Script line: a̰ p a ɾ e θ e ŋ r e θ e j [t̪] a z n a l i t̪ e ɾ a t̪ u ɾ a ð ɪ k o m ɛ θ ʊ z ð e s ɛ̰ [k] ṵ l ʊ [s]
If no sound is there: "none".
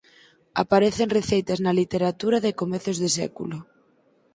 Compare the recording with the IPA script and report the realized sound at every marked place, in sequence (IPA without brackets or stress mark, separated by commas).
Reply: t̪, k, none